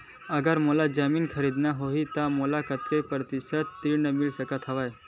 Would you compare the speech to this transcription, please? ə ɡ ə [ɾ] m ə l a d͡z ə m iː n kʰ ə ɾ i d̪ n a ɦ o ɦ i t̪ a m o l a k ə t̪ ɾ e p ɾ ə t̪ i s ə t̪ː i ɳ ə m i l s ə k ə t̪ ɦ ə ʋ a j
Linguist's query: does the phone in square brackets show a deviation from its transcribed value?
no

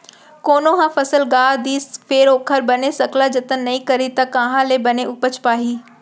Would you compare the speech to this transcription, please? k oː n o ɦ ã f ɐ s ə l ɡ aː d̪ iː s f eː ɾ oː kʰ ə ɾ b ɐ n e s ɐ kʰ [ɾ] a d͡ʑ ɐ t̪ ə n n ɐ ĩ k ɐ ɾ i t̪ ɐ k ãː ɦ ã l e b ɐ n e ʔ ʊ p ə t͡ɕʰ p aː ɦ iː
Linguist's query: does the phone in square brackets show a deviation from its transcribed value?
yes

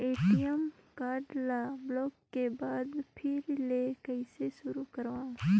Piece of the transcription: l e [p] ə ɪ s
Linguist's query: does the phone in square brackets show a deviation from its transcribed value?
yes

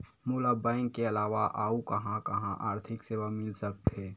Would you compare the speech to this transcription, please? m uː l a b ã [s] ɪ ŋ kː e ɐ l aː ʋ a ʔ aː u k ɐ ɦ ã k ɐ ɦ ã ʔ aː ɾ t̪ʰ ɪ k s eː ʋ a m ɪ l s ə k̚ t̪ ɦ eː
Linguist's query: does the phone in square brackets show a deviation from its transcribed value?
yes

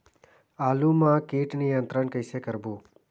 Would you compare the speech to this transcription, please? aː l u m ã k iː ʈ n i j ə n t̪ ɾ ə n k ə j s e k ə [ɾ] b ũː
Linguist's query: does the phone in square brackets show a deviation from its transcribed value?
no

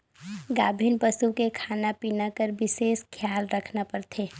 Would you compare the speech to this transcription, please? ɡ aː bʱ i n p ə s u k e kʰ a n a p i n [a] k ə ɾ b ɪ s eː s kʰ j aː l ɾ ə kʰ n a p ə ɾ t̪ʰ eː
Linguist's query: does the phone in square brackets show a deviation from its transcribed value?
no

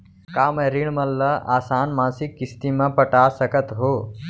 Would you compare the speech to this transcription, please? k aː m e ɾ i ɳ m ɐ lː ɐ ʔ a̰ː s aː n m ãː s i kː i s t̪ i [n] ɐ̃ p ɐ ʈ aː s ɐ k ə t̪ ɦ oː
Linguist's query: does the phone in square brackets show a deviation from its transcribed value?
yes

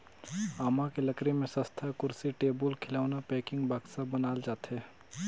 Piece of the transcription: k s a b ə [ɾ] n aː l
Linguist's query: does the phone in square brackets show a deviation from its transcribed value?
yes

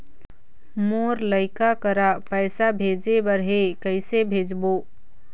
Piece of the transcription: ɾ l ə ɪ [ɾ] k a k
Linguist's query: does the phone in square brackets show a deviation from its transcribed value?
yes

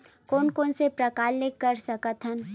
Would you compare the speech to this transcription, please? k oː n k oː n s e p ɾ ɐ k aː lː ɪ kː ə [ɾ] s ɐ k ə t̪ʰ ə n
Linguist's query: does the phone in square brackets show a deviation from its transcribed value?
no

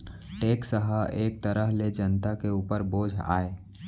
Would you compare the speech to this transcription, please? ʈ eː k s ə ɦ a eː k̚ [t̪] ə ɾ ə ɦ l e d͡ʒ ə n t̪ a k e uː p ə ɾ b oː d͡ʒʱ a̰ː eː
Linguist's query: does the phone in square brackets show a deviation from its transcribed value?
no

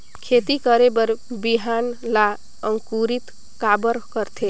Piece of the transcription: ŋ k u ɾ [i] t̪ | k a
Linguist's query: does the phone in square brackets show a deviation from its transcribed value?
no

